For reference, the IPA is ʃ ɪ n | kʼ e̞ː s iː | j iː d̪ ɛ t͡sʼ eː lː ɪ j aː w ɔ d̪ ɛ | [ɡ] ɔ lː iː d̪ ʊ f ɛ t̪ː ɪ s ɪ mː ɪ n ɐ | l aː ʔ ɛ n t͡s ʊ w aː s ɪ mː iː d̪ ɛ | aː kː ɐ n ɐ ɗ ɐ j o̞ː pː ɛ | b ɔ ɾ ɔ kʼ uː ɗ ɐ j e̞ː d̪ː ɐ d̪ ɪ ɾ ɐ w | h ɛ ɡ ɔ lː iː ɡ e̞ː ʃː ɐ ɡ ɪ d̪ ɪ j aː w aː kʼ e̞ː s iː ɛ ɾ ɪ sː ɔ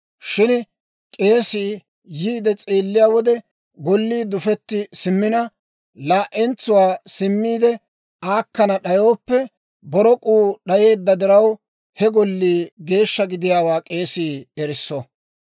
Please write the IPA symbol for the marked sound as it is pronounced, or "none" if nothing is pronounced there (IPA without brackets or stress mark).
ɡ